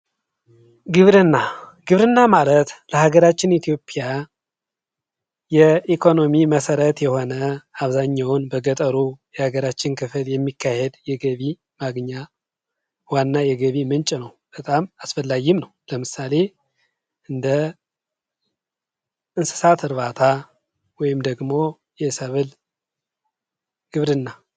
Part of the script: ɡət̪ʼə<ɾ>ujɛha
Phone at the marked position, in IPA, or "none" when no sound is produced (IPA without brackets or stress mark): ɾ